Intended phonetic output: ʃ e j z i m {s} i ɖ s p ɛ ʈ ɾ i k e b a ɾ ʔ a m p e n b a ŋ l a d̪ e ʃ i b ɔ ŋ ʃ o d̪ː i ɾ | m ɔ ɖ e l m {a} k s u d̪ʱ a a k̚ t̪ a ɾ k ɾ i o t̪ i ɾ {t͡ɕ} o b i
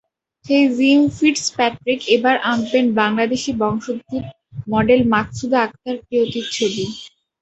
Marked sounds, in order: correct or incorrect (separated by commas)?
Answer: incorrect, correct, incorrect